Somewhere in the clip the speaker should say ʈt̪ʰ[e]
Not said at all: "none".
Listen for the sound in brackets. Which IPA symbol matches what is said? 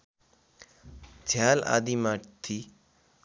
i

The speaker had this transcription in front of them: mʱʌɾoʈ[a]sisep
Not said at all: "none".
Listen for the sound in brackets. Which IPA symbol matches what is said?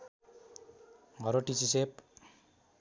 i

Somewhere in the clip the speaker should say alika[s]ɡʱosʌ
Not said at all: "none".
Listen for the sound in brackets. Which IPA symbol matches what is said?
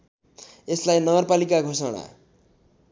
none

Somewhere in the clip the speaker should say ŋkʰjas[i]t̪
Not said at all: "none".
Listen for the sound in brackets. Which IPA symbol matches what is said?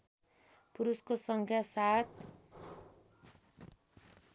a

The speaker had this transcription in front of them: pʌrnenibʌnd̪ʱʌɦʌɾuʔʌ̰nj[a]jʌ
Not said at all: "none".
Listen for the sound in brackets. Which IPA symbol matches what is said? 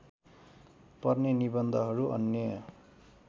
ʌ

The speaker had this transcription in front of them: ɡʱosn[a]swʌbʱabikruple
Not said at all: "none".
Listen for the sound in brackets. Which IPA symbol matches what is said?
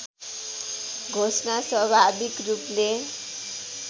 a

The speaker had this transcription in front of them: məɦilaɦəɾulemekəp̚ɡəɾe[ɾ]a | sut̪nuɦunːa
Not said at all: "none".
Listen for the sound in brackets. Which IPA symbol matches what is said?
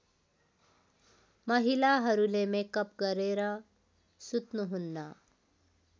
ɾ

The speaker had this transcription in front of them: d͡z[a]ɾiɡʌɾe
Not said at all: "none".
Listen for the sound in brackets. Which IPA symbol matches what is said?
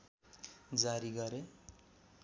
a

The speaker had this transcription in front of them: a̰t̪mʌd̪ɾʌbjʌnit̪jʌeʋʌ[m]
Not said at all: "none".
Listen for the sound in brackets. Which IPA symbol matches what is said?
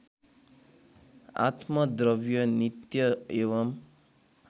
m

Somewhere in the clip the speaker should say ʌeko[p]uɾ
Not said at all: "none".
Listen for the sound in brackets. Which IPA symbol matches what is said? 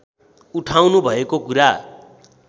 k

